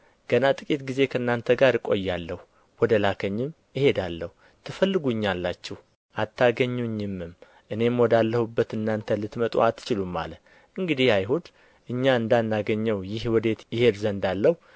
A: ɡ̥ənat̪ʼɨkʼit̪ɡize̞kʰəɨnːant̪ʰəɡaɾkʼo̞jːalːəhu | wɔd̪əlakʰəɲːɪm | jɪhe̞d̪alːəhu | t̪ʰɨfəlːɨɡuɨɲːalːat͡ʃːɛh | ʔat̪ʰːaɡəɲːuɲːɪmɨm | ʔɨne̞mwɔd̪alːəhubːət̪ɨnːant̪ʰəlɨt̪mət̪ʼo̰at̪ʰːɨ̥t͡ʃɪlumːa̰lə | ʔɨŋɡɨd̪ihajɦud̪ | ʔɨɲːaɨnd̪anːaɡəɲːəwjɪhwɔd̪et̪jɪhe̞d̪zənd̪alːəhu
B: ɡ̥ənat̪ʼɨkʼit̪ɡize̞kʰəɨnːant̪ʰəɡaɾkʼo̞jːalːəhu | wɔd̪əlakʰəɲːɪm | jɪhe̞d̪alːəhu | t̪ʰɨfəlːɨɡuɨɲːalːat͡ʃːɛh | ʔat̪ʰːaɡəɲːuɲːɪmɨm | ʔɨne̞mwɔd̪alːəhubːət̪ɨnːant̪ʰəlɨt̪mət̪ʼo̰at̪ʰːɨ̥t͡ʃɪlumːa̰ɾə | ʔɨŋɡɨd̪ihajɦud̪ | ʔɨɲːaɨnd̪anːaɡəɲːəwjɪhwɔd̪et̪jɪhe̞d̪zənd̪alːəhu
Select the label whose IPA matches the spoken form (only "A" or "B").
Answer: A